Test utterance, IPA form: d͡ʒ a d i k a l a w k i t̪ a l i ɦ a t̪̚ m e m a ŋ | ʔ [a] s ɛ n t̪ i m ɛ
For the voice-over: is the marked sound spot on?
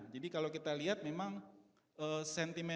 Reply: no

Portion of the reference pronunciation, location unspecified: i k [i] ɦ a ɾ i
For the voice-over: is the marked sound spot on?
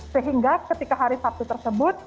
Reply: no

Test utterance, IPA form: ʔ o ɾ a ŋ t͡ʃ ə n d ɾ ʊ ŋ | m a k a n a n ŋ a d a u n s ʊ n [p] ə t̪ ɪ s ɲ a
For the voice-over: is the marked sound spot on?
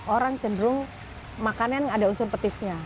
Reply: yes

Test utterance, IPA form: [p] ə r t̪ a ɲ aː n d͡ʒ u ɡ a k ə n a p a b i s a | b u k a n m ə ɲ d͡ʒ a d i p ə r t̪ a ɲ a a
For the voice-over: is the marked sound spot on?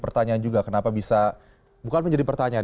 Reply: yes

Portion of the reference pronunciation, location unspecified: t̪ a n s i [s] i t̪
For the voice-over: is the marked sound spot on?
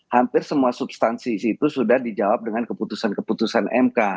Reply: yes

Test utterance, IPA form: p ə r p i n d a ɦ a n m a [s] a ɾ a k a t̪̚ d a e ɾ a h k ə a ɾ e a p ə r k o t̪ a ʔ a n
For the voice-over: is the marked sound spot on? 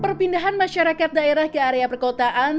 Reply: no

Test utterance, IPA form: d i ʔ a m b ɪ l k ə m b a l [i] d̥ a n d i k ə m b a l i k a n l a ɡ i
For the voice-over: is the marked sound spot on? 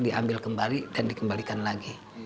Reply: yes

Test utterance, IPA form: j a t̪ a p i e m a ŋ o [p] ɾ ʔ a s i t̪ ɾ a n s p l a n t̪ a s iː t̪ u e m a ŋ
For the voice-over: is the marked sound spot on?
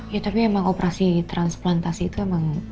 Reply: yes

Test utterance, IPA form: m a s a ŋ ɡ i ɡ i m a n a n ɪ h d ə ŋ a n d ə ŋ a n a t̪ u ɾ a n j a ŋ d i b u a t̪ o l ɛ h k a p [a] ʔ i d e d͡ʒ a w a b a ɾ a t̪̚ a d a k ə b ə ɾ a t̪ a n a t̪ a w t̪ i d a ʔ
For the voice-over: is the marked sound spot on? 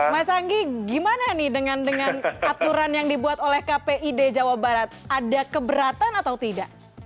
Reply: no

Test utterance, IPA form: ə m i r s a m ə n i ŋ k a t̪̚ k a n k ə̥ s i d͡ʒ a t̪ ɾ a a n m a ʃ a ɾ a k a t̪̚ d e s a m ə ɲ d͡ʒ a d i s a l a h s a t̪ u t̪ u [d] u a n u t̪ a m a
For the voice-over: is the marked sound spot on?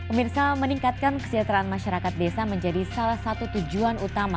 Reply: no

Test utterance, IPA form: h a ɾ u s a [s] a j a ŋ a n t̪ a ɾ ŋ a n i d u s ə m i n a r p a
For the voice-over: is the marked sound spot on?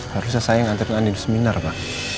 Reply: yes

